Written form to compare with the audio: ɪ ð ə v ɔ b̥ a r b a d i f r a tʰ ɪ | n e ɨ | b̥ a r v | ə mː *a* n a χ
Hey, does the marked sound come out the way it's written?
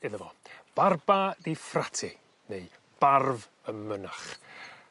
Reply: no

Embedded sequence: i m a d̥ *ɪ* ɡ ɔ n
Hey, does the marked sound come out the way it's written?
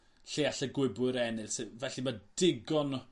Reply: yes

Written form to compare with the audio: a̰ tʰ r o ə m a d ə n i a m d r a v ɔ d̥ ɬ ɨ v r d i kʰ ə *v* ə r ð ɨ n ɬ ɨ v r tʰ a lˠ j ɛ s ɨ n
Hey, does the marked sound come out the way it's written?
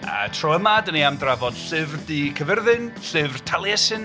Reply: yes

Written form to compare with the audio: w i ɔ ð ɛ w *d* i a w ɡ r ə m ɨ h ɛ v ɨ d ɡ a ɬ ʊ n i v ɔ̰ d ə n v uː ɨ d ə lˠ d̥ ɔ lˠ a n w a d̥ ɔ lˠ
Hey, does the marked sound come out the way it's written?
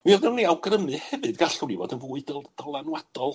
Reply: no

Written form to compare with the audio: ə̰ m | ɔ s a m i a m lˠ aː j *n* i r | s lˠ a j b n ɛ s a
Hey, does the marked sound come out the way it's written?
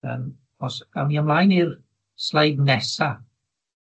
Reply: yes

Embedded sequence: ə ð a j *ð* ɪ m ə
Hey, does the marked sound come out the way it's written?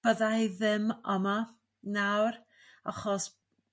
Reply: yes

